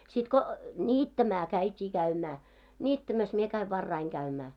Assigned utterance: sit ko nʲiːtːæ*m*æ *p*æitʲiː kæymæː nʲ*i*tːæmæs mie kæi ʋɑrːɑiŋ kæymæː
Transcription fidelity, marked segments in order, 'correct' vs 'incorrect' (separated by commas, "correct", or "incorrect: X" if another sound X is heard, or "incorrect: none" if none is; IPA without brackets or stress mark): correct, incorrect: k, incorrect: iː